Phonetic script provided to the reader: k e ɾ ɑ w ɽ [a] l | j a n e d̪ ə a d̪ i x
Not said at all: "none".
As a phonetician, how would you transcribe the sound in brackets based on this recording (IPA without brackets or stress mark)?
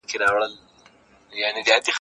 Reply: ə